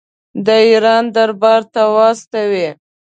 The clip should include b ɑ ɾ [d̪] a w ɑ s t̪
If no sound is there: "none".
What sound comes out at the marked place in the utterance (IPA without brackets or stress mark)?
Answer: t̪